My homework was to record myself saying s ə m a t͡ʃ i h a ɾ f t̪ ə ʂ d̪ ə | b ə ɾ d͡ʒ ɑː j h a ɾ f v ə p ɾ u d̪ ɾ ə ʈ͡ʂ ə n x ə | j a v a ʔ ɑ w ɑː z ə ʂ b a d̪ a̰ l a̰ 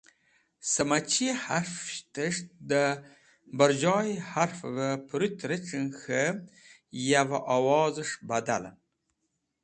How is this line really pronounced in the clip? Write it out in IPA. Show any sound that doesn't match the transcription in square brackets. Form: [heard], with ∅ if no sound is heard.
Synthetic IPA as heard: s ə m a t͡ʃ i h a ɾ f t̪ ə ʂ d̪ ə | b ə ɾ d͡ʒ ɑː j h a ɾ f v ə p ɾ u [t̪] ɾ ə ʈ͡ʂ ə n x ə | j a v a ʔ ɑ w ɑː z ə ʂ b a d̪ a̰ l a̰